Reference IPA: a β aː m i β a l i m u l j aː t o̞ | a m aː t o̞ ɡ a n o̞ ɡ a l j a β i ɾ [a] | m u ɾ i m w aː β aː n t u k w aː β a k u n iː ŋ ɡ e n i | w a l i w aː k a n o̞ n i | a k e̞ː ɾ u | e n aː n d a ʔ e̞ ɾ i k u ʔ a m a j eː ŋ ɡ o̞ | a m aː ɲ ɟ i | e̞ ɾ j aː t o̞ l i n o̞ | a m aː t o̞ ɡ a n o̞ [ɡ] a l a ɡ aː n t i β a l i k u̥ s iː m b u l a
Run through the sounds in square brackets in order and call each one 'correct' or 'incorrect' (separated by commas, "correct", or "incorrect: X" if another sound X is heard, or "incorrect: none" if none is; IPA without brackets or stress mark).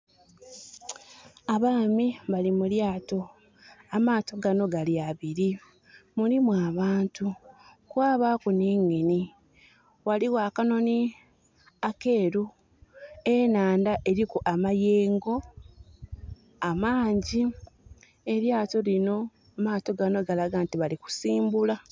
incorrect: i, correct